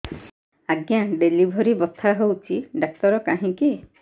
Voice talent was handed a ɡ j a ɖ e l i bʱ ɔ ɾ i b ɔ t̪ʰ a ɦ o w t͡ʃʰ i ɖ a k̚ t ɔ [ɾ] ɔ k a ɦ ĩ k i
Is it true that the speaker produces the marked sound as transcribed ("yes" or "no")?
yes